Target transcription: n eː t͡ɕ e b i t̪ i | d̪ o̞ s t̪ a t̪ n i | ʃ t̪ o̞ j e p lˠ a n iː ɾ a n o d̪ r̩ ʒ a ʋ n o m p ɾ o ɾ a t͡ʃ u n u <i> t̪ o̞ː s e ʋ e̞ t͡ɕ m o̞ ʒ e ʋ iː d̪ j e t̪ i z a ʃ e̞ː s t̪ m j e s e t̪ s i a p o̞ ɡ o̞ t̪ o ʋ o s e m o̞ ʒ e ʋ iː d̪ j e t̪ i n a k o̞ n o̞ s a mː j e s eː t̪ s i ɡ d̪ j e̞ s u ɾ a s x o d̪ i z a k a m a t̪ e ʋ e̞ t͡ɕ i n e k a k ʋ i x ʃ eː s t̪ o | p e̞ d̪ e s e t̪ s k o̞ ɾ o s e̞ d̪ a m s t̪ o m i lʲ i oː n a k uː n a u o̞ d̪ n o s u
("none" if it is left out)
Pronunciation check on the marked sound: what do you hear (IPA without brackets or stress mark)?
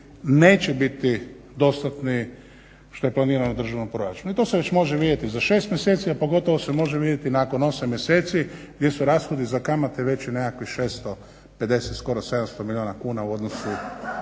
i